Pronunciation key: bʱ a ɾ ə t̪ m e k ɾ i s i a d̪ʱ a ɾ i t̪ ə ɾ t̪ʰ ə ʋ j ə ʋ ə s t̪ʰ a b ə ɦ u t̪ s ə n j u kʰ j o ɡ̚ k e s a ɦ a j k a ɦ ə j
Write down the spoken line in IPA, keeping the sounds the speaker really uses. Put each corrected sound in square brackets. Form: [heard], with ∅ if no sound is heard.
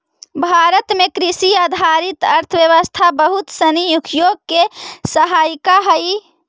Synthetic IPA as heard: bʱ a ɾ ə t̪ m e k ɾ i s i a d̪ʱ a ɾ i t̪ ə ɾ t̪ʰ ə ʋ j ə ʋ ə s t̪ʰ a b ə ɦ u t̪ s ə n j u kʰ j o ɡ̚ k e s [ə] ɦ a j k a ɦ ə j